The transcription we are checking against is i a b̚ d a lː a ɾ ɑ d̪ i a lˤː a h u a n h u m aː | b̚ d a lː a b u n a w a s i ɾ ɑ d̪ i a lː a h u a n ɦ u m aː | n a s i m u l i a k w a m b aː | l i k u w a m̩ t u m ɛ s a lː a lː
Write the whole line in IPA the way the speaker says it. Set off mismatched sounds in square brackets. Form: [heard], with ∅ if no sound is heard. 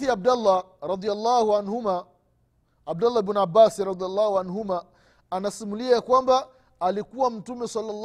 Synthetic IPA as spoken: i a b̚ d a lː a ɾ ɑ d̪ i a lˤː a h u a n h u m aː | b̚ d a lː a b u n a [b] a s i ɾ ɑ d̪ i a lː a h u a n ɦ u m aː | n a s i m u l i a k w a m b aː | l i k u w a m̩ t u m ɛ s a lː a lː